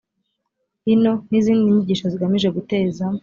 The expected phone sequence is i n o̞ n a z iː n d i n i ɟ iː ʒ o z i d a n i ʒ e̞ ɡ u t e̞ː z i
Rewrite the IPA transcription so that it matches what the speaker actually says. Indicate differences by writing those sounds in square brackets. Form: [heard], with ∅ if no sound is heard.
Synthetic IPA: i n o̞ n [i] z iː n d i [ɲ] i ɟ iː [ʃ] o z i [ɡ] a [m] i ʒ e̞ ɡ u t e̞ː z [a]